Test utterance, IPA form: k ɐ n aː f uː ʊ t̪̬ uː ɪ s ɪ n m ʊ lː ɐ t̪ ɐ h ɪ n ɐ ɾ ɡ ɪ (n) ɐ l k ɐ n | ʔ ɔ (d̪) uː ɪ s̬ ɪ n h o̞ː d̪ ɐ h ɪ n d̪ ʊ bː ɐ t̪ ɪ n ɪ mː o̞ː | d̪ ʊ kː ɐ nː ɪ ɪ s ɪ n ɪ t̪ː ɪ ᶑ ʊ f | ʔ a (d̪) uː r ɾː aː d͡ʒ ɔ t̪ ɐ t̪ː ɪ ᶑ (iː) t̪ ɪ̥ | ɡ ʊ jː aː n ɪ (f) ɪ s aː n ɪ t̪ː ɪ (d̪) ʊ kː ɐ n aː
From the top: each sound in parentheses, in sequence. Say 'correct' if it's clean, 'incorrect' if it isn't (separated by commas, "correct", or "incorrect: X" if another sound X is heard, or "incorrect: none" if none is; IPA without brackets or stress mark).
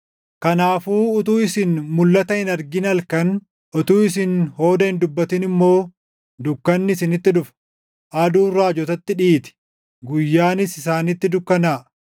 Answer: correct, incorrect: t̪, correct, correct, incorrect: s, correct